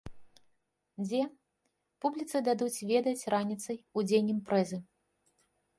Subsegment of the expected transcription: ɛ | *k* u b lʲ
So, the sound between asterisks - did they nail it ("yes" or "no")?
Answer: no